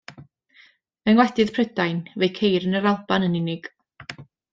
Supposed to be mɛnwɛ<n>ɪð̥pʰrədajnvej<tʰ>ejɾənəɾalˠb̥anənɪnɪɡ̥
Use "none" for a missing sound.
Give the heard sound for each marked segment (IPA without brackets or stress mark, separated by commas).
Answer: d, kʰ